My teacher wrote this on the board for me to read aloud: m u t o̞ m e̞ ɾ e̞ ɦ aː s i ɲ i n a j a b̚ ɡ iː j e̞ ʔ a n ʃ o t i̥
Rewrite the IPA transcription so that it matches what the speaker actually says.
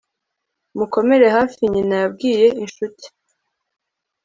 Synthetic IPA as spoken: m u k o̞ m e̞ ɾ e̞ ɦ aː f i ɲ i n a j a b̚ ɡ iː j e̞ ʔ i n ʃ u t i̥

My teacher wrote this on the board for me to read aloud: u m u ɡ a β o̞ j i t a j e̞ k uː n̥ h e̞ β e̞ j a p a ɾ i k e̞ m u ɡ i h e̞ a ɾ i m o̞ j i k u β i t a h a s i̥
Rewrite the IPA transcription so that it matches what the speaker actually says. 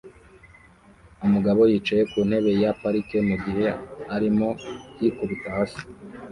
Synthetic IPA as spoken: u m u ɡ a β o̞ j i t͡ʃ a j e̞ k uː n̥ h e̞ β e̞ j a p a ɾ i k e̞ m u ɡ i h e̞ a ɾ i m o̞ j i k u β i t a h a s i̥

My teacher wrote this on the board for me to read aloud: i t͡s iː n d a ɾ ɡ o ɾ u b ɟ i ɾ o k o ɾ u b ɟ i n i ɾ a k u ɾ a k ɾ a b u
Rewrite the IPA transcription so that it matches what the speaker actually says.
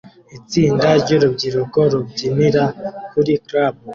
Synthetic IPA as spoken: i t͡s iː n d a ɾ ɟ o ɾ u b ɟ i ɾ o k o ɾ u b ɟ i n i ɾ a k u ɾ i k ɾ a b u

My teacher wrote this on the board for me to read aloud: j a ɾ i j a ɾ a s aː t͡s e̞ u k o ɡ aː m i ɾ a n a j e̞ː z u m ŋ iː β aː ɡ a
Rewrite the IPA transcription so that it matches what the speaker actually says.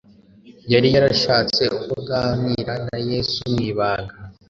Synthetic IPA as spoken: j a ɾ i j a ɾ a ʃ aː t͡s e̞ u k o ɡ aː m i ɾ a n a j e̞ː s u m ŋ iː β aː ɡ a

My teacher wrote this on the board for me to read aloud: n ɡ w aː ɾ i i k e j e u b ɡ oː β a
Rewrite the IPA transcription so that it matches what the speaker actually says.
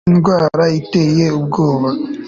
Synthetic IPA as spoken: n ɡ w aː ɾ a i t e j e u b ɡ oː β a

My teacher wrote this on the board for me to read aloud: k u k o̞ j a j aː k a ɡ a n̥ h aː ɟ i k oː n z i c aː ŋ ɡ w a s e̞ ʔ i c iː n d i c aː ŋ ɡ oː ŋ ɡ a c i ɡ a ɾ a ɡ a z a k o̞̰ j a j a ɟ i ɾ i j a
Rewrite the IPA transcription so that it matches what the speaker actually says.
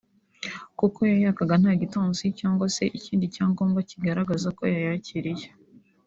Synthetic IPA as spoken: k u k o̞ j a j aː k a ɡ a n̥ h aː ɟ i t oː n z i c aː ŋ ɡ w a s e̞ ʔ i c iː n d i c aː ŋ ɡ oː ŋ ɡ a c i ɡ a ɾ a ɡ a z a k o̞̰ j a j a c i ɾ i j e

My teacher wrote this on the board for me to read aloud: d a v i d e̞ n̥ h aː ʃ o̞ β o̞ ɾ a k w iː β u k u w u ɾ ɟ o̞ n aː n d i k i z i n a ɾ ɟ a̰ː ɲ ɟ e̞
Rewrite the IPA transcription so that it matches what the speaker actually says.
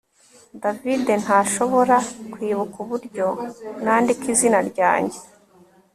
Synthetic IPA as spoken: d a v i d e̞ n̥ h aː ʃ o̞ β o̞ ɾ a k w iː β u k u β u ɾ ɟ o̞ n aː n d i k i z i n a ɾ ɟ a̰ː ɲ ɟ e̞

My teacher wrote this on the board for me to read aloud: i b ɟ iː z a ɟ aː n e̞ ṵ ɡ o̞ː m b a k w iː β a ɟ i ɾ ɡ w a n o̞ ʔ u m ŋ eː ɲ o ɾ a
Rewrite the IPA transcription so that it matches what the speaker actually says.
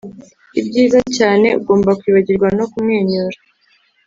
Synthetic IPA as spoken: i b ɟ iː z a c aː n e̞ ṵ ɡ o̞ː m b a k w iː β a ɟ i ɾ ɡ w a n o̞ k u m ŋ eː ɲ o ɾ a

